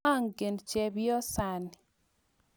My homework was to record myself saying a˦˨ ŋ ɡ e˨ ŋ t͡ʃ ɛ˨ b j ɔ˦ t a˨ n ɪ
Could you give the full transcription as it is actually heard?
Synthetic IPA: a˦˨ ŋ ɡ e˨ n t͡ʃ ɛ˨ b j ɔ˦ s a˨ n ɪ